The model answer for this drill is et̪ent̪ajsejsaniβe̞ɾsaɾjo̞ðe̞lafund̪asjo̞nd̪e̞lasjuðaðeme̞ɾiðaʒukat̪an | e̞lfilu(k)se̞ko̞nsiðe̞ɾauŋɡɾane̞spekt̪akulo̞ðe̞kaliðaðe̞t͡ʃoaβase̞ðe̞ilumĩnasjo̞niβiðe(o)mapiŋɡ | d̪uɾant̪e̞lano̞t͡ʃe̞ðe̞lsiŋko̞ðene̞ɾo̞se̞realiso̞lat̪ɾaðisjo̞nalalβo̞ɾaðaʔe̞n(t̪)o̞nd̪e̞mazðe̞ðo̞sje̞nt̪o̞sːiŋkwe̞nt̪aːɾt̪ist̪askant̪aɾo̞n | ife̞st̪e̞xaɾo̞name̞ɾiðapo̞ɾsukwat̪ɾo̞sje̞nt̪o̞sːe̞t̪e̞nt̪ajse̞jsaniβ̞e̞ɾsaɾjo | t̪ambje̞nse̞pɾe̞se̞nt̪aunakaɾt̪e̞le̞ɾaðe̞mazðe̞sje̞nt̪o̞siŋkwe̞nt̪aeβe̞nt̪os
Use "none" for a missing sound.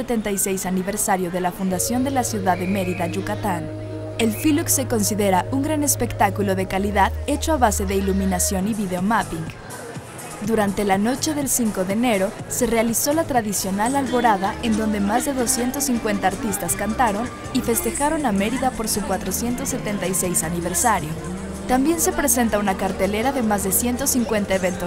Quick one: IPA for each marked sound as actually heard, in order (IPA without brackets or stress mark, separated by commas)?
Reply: k, o, d̪